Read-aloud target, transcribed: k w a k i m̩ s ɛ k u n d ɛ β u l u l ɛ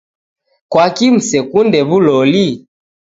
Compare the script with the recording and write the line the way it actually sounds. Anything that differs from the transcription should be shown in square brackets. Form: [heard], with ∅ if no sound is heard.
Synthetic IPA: k w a k i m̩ s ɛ k u n d ɛ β u l [ɔ] l [i]